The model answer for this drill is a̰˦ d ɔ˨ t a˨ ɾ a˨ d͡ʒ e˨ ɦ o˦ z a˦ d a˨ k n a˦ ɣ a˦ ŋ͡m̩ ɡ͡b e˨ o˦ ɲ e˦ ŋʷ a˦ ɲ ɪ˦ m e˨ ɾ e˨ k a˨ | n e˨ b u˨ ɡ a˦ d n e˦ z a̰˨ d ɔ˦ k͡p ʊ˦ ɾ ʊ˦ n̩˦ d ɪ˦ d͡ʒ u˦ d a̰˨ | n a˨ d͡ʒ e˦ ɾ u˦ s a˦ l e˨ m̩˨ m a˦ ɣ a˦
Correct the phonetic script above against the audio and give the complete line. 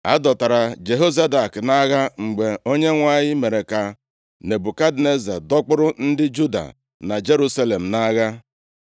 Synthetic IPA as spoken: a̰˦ d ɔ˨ t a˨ ɾ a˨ d͡ʒ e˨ ɦ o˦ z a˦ d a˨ k n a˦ ɣ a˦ ŋ͡m̩ ɡ͡b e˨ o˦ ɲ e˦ ŋʷ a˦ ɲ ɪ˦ m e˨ ɾ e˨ k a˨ | n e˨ b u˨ k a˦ d n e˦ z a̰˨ d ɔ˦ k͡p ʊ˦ ɾ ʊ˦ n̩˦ d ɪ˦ d͡ʒ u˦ d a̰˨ | n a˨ d͡ʒ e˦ ɾ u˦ s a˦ l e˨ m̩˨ n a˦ ɣ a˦